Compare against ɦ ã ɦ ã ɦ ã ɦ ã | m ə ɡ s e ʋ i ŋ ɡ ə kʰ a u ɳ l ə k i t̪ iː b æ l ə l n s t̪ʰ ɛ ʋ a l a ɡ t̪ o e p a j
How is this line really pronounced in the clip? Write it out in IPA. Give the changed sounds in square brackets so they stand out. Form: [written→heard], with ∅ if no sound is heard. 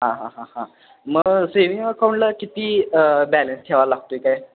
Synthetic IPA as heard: ɦ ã ɦ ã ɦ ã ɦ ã | m ə ɡ s e ʋ i ŋ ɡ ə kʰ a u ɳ l ə k i t̪ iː b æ l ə [l→∅] n s t̪ʰ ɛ ʋ a l a ɡ t̪ o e [p→k] a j